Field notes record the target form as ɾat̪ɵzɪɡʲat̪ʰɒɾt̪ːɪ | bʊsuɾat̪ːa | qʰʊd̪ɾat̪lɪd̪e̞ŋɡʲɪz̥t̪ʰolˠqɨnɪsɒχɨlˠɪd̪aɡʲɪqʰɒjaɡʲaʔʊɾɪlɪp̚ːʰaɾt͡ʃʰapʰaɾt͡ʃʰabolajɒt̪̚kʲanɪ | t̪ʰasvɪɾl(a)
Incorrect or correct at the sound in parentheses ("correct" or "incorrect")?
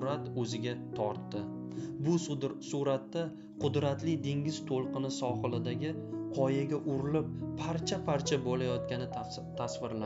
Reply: correct